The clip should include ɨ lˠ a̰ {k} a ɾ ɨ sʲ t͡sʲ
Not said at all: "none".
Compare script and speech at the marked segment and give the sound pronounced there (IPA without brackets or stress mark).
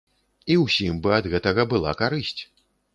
k